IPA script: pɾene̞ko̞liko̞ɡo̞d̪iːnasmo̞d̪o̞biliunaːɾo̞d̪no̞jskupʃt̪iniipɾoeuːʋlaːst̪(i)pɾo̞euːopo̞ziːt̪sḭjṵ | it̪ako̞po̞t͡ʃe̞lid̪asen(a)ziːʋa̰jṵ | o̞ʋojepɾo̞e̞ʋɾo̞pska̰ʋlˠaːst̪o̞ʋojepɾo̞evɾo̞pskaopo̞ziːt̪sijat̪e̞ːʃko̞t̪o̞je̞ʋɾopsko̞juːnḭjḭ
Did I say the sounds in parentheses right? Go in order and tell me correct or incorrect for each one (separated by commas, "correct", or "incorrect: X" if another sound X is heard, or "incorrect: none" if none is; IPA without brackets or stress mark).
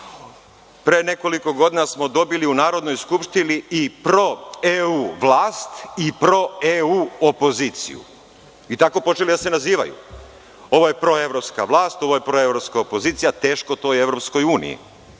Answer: correct, correct